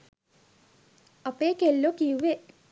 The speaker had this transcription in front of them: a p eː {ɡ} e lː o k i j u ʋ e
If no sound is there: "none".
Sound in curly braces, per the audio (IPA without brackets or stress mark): k